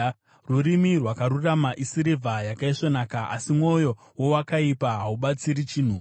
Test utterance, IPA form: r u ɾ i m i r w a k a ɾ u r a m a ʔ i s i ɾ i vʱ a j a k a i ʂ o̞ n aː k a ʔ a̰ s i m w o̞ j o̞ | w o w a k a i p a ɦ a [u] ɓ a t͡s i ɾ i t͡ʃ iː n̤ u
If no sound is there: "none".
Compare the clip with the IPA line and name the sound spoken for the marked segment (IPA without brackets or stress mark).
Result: u